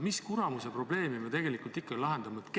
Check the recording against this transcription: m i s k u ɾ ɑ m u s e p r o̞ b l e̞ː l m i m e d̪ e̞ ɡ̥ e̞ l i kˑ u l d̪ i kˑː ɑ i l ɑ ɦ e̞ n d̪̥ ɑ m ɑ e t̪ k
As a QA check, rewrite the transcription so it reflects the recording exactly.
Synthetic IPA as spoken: m i s k u ɾ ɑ m u s e p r o̞ b l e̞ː m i m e t̪ e̞ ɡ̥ e̞ l i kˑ u l t̪ i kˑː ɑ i l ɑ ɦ e̞ n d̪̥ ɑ m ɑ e t̪ k